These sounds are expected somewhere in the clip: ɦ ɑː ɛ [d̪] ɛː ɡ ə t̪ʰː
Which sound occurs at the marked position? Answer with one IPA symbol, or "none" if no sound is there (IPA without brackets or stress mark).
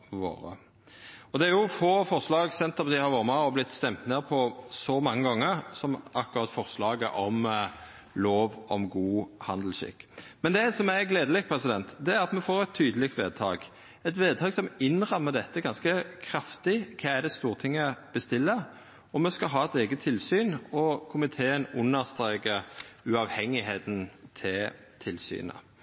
t̪